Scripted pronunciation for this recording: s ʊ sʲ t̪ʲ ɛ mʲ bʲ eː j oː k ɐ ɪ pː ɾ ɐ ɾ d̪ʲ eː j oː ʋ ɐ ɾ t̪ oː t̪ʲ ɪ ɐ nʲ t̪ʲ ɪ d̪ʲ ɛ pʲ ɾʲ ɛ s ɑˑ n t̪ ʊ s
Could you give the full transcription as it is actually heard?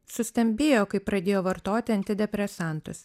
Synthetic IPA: s ʊ sʲ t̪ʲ ɛ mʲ bʲ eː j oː k ɐ ɪ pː ɾ ɐ d̪ʲ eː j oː ʋ ɐ ɾ t̪ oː t̪ʲ ɪ ɐ nʲ t̪ʲ ɪ d̪ʲ ɛ pʲ ɾʲ ɛ s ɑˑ n t̪ ʊ s